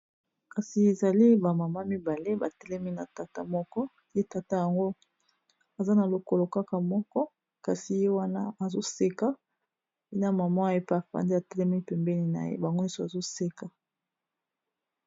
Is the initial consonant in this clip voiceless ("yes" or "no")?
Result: yes